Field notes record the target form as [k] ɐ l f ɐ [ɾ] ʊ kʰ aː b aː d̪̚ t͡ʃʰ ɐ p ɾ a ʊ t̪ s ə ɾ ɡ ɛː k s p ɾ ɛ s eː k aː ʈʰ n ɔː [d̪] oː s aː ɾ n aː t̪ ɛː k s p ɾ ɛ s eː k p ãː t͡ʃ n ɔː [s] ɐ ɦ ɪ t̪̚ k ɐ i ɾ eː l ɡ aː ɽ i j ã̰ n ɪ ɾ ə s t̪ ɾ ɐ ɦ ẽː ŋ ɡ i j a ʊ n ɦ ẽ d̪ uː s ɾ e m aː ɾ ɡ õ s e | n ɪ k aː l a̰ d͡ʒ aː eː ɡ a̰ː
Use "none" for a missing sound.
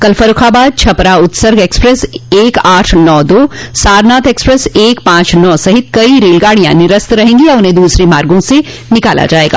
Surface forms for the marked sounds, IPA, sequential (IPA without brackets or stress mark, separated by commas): k, ɾ, d̪, s